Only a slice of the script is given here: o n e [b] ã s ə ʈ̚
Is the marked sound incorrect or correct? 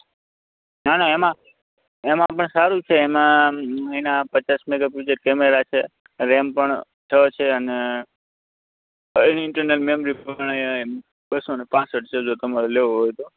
incorrect